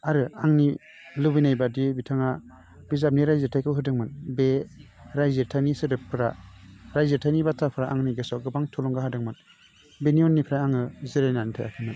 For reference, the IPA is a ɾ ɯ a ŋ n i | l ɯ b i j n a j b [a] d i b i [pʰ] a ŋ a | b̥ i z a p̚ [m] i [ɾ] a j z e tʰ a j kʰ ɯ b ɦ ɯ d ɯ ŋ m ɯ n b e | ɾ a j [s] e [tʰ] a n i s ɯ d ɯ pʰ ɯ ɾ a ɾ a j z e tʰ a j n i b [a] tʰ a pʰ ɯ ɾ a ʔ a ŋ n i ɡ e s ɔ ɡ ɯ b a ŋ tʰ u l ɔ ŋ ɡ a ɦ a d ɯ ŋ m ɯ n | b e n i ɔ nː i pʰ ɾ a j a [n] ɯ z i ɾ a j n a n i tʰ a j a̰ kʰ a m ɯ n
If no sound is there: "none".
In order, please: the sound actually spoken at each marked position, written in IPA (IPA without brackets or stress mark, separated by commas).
a, tʰ, n, ɾ, z, tʰ, a, ŋ